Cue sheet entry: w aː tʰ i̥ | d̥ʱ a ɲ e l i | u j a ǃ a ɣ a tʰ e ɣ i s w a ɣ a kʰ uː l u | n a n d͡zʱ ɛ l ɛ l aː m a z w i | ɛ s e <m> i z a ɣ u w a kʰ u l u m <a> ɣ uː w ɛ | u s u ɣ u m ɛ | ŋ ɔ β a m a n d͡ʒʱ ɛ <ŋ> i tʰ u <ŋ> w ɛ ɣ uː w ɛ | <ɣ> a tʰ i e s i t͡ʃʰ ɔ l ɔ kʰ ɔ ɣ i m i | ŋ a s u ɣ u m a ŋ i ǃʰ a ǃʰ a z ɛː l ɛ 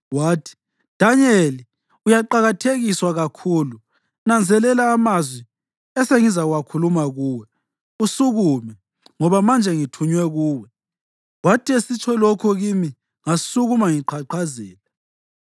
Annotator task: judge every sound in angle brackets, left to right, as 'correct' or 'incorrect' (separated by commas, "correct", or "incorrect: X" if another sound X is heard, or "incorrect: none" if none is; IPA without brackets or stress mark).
incorrect: ŋ, correct, correct, incorrect: ɲ, incorrect: w